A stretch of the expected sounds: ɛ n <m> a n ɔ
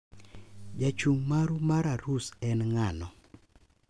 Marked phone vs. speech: incorrect: ŋ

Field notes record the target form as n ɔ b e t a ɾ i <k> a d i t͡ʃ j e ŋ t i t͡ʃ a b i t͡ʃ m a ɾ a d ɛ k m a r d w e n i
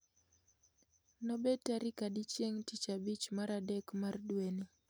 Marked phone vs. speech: correct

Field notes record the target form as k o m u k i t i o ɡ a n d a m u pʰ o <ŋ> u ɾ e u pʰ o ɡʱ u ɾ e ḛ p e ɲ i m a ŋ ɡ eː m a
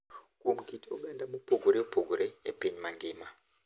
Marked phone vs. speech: incorrect: ɡ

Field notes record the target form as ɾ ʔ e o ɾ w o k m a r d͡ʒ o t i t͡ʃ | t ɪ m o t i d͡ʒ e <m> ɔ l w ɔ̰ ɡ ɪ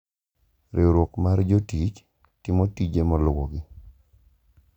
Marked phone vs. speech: correct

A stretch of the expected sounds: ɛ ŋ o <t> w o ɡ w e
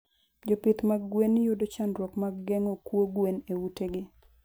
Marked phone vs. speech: incorrect: k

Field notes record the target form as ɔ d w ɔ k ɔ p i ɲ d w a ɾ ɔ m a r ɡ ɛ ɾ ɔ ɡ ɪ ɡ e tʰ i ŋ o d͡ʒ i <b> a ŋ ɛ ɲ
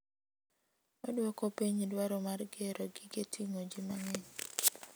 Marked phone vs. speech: incorrect: m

